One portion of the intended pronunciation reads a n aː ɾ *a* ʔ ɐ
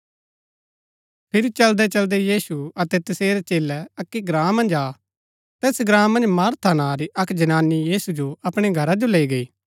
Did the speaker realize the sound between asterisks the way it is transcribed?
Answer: no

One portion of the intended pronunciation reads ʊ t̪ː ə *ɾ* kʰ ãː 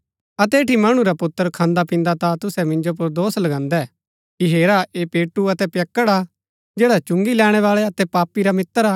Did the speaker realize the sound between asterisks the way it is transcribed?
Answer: yes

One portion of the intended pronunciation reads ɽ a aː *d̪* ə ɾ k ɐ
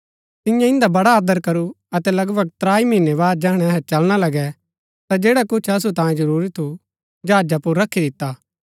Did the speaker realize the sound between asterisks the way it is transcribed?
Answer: yes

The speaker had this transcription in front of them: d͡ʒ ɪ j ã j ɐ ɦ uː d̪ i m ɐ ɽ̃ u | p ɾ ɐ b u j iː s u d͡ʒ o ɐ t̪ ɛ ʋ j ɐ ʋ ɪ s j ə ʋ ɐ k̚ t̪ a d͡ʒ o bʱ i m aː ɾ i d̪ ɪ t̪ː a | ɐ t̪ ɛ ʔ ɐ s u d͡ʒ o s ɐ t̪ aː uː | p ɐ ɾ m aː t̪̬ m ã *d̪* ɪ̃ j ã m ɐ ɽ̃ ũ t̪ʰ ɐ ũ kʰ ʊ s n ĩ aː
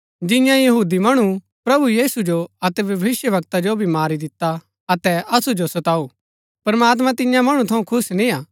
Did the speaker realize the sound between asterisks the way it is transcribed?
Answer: no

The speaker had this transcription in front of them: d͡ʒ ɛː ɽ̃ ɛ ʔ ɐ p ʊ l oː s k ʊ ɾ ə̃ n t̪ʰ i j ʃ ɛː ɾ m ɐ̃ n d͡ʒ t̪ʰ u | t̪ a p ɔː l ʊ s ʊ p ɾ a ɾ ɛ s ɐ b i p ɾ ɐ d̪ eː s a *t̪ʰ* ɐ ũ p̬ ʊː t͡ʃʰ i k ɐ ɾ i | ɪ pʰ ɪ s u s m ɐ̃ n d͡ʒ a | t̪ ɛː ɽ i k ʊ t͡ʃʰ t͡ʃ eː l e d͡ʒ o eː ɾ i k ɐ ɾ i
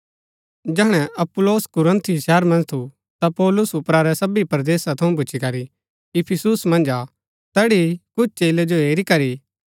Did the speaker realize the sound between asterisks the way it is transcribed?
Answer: yes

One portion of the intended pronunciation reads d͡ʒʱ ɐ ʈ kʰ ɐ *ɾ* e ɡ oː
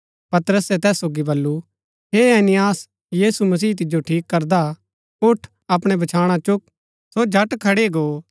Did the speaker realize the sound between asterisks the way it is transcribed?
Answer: no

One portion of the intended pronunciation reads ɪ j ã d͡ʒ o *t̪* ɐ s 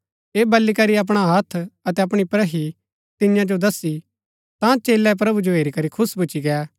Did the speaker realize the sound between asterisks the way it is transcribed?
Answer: no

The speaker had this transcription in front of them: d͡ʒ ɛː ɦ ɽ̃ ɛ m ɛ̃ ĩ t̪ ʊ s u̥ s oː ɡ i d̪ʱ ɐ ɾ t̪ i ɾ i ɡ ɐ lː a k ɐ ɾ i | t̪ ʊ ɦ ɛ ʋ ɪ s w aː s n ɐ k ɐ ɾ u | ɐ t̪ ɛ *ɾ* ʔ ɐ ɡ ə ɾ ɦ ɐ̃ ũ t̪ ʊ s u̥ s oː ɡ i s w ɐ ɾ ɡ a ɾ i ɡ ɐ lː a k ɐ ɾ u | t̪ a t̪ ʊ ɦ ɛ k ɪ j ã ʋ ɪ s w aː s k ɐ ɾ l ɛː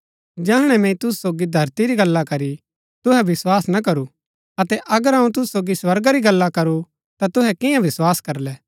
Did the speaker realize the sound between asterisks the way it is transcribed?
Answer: no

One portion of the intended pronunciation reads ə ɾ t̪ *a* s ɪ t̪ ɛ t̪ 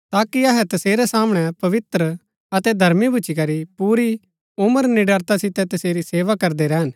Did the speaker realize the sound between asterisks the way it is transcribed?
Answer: yes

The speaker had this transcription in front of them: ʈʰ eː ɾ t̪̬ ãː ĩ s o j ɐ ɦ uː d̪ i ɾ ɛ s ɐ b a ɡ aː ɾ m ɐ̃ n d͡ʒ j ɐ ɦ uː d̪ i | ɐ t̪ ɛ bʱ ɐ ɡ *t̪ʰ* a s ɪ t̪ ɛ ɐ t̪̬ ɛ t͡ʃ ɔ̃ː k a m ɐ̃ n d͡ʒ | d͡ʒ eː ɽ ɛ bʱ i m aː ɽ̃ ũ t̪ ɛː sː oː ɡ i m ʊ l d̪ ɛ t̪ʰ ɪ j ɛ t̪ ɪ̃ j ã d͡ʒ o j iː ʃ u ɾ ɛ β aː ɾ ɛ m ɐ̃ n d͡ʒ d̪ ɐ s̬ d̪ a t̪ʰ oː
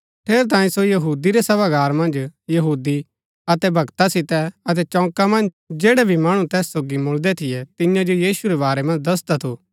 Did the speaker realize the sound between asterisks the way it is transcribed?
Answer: no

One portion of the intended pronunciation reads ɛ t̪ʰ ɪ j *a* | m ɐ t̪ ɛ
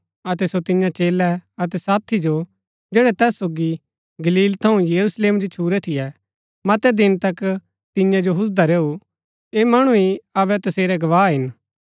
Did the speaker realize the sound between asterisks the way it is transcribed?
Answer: no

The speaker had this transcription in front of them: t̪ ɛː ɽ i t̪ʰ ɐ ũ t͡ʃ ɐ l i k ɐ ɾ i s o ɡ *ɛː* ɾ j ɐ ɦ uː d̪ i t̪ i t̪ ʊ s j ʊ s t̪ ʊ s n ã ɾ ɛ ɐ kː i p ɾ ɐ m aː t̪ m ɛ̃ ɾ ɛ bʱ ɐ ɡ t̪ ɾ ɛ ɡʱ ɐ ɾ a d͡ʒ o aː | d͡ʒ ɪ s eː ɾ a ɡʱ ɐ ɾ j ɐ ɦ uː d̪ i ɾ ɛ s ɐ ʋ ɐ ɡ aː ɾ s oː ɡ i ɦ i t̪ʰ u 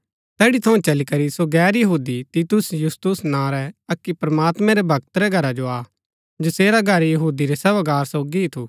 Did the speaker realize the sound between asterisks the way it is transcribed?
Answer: yes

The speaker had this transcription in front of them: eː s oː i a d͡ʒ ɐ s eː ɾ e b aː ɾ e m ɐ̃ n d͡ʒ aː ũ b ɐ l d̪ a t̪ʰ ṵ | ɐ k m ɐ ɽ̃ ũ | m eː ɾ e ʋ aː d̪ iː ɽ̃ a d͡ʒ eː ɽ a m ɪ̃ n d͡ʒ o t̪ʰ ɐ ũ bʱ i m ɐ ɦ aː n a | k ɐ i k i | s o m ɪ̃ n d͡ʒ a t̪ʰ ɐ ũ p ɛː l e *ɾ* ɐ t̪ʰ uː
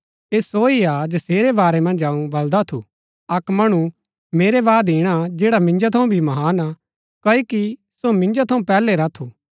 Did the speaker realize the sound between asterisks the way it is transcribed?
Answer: yes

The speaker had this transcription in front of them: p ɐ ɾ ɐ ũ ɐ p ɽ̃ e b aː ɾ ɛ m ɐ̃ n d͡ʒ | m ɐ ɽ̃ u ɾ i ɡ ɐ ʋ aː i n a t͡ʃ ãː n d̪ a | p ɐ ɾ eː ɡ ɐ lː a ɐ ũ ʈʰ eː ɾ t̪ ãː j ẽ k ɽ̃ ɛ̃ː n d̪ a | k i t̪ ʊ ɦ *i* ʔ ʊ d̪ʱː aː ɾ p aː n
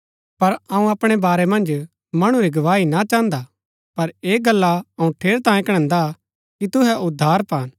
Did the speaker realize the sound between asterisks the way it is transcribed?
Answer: no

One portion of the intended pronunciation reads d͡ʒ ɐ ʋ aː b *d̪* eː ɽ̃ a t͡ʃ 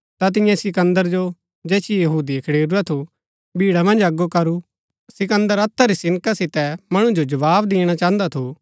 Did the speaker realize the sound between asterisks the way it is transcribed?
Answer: yes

